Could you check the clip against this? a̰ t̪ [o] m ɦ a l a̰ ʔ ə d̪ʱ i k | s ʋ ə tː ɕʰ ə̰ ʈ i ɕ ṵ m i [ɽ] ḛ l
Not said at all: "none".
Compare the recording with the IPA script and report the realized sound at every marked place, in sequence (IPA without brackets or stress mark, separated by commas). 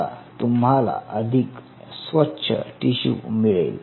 u, ɭ